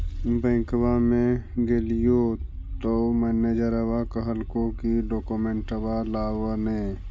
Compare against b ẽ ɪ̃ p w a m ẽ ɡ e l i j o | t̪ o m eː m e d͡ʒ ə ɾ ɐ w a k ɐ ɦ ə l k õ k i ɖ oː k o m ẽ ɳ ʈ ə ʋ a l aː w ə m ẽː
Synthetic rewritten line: b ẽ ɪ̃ k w a m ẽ ɡ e l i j o | t̪ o m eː n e d͡ʒ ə ɾ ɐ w a k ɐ ɦ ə l k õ k i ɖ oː k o m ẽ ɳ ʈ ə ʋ a l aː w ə n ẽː